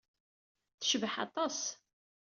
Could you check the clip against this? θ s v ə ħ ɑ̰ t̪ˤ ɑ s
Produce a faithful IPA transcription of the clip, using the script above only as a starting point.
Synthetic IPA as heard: θ ʃ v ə ħ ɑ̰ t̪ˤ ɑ s